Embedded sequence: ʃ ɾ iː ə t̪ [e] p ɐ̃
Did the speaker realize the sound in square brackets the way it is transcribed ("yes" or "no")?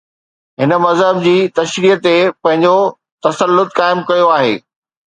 yes